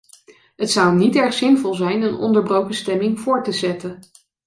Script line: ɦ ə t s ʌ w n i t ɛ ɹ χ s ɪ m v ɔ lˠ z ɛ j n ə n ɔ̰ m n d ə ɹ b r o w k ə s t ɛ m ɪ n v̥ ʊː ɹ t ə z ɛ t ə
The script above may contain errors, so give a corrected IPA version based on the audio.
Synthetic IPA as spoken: ɦ ə t s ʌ w n i t ɛ ɹ χ s ɪ n v ɔ lˠ z ɛ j n ə n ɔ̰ n d ə ɹ b r o w k ə s t ɛ m ɪ ŋ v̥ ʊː ɹ t ə z ɛ t ə